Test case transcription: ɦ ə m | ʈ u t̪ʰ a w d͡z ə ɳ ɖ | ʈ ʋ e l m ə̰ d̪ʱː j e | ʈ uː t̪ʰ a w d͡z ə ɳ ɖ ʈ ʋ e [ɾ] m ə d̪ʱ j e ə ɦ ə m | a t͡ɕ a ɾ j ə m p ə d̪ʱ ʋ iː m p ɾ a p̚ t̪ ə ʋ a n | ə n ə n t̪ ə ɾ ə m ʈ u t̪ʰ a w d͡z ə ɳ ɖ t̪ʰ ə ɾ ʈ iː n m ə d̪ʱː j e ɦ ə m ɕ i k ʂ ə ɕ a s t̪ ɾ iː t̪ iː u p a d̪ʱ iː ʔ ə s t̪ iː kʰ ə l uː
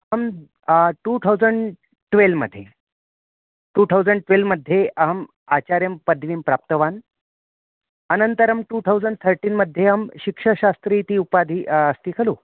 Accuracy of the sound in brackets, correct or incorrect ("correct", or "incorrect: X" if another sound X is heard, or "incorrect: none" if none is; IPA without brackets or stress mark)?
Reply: incorrect: l